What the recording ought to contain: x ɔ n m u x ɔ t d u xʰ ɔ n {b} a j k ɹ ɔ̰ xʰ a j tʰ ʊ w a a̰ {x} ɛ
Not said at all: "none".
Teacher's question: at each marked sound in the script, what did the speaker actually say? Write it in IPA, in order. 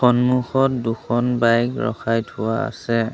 b, s

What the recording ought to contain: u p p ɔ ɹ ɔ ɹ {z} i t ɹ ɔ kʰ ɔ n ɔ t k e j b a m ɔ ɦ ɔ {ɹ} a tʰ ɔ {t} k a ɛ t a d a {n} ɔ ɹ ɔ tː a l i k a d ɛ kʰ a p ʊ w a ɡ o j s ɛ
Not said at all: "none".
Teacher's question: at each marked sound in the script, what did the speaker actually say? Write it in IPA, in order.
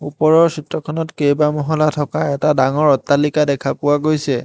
s, l, none, ŋ

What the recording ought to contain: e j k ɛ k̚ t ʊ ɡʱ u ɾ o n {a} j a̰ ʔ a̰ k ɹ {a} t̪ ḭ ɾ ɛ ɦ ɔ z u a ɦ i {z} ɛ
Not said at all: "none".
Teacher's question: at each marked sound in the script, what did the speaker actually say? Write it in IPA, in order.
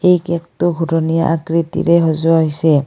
i, i, s

